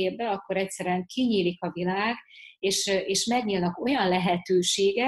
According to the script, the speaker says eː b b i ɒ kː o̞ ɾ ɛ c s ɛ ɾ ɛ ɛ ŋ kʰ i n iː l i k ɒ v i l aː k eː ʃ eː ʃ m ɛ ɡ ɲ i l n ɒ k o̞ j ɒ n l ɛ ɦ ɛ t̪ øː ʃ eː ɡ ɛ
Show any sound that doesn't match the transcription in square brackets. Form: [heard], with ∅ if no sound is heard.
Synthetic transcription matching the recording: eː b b [ɛ] ɒ kː o̞ ɾ ɛ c s ɛ ɾ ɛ ɛ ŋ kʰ i [ɲ] iː l i k ɒ v i l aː [ɡ] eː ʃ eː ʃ m ɛ ɡ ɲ i l n ɒ k o̞ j ɒ n l ɛ ɦ ɛ t̪ øː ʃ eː ɡ ɛ